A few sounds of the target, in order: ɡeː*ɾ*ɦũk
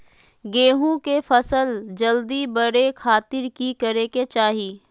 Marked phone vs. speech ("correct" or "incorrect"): incorrect